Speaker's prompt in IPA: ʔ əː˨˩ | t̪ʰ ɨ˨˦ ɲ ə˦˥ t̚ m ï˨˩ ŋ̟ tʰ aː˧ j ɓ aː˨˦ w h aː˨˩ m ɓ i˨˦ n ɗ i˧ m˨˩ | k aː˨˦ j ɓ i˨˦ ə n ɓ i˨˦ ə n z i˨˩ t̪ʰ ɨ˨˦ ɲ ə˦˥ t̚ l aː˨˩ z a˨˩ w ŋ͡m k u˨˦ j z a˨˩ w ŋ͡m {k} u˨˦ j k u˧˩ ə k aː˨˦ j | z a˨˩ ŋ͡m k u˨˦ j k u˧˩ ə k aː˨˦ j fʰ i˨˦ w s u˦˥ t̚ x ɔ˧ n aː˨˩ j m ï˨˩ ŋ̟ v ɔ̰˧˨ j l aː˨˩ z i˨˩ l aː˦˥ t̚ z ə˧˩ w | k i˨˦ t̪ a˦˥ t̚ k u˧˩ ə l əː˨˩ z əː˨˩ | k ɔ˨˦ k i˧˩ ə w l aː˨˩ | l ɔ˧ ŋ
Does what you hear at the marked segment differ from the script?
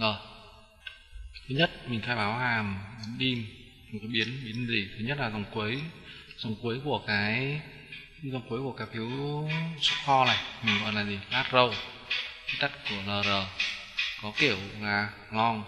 no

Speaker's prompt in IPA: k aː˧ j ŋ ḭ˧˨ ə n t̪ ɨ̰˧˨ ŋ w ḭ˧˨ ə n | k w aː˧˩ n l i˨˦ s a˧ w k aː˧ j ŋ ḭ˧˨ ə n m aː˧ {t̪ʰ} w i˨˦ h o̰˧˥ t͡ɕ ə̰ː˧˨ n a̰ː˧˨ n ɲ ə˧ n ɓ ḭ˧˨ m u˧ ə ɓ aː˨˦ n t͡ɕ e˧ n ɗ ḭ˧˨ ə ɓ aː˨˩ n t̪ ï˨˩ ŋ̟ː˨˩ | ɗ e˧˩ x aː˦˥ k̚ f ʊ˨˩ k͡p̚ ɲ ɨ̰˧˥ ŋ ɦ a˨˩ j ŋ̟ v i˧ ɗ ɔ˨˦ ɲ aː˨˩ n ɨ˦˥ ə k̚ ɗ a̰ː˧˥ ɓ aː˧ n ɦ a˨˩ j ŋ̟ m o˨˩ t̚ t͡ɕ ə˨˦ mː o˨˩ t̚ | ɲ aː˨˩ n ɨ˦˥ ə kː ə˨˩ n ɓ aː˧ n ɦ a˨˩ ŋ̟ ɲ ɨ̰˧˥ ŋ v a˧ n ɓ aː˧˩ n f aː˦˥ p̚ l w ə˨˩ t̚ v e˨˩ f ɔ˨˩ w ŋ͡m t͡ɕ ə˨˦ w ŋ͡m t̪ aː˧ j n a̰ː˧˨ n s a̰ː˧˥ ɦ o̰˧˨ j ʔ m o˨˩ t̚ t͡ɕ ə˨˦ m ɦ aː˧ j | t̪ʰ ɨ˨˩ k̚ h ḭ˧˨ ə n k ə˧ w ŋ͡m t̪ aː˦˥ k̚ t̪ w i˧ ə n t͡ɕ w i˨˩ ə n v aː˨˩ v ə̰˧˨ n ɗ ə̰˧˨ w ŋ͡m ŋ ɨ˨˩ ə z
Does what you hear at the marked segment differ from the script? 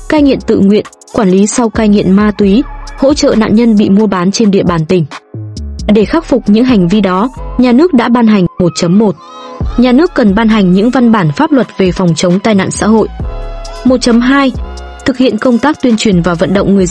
yes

